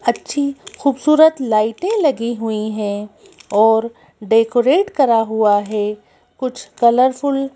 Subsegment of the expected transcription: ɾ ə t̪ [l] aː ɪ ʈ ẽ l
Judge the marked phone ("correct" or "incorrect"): correct